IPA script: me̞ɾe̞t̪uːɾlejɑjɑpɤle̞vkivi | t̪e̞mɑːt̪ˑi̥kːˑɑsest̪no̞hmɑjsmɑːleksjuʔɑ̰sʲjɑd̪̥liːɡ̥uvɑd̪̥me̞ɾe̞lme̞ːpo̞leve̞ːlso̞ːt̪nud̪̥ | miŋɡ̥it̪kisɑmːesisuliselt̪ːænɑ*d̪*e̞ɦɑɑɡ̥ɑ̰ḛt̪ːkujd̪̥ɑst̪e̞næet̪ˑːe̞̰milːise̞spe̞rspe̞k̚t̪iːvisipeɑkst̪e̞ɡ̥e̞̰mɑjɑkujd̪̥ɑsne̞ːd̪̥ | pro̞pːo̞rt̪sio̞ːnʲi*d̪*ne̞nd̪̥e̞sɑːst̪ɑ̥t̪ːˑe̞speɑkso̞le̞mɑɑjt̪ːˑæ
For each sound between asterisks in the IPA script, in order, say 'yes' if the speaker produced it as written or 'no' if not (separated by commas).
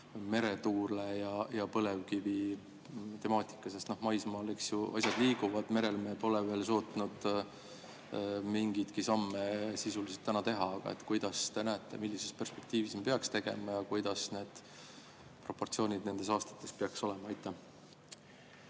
no, yes